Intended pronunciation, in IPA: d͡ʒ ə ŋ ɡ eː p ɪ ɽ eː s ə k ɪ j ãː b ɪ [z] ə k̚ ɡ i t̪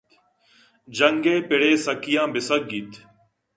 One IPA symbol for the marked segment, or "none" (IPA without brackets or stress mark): s